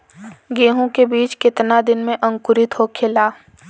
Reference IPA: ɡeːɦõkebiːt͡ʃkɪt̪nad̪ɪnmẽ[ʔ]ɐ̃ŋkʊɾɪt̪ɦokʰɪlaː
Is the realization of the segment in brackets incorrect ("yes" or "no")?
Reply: no